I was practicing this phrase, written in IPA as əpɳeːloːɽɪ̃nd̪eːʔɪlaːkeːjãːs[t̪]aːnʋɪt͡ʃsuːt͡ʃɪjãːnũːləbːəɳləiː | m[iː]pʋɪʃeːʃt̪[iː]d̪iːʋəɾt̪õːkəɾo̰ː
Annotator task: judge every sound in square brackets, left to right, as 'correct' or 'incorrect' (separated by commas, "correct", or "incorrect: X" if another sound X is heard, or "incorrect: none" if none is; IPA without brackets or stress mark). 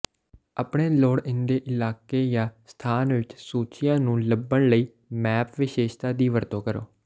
incorrect: t̪ʰ, incorrect: ɛː, incorrect: aː